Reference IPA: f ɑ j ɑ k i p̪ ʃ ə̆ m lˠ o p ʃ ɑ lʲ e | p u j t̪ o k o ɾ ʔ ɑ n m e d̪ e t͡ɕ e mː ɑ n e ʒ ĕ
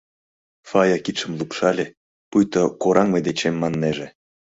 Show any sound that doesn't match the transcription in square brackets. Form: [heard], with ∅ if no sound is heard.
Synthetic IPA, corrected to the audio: f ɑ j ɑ k i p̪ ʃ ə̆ m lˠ [u] p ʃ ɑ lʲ e | p u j t̪ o k o ɾ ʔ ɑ [ŋ] m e d̪ e t͡ɕ e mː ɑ [nː] e ʒ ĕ